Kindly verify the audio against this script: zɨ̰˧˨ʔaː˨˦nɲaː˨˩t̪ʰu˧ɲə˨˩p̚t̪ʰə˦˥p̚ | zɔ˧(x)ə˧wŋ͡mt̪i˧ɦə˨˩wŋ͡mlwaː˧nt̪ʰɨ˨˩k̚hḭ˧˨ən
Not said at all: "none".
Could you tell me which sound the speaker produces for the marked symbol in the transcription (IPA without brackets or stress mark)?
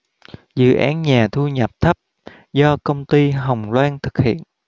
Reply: k